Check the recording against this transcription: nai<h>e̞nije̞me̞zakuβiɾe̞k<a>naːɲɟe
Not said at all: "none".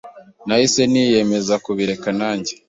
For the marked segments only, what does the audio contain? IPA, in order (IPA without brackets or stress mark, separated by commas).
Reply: s, a